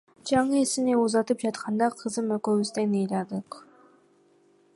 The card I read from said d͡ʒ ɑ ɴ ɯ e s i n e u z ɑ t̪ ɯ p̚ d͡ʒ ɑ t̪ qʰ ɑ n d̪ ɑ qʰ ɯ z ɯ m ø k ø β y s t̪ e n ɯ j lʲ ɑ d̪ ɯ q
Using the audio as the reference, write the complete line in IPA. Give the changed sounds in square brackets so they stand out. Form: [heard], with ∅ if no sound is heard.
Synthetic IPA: d͡ʒ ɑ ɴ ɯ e s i n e u z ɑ t̪ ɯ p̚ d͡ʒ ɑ t̪ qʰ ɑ n d̪ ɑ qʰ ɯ z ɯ m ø k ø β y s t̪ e n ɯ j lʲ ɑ d̪ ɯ q

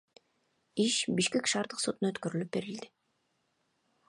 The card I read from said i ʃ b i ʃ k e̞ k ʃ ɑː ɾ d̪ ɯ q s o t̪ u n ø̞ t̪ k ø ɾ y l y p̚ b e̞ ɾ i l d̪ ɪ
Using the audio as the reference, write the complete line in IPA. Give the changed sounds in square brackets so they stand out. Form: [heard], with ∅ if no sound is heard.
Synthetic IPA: i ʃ b i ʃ k e̞ k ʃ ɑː ɾ d̪ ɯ q s o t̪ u n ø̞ t̪ k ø ɾ y l y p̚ b e̞ ɾ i l d̪ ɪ

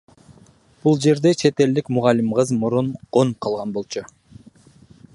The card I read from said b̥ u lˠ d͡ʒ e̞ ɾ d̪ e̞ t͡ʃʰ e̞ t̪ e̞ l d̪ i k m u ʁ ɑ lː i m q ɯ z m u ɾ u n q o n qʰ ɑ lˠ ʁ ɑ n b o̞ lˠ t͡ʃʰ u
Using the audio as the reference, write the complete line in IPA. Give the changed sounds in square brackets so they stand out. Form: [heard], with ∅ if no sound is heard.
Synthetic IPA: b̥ u lˠ d͡ʒ e̞ ɾ d̪ e̞ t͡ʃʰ e̞ t̪ e̞ l d̪ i k m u ʁ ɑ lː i m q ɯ z m u ɾ u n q o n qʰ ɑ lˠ ʁ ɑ n b o̞ lˠ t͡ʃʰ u

